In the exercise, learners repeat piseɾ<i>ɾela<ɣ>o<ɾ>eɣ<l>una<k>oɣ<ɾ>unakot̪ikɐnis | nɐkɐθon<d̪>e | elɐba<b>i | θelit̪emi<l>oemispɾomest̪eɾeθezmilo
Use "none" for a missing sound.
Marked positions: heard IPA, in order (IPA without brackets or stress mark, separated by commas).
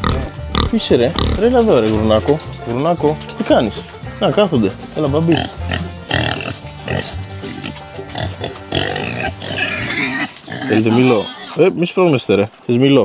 e, ð, ɾ, ɾ, k, ɾ, d̪, b, l